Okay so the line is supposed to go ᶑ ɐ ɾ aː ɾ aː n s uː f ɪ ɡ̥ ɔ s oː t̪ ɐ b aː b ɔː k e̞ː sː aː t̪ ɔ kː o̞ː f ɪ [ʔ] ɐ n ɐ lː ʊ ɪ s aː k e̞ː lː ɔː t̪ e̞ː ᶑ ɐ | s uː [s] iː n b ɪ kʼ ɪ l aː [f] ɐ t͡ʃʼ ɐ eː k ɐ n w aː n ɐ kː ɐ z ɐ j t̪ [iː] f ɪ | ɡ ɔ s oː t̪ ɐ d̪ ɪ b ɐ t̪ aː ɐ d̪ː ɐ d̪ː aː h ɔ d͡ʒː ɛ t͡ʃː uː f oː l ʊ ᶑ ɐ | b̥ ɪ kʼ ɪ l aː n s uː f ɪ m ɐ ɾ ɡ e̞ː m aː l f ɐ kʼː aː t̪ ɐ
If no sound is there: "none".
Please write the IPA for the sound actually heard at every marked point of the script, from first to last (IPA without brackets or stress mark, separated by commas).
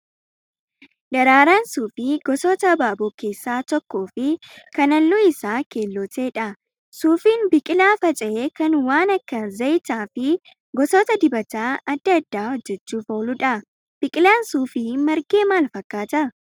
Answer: k, f, f, aː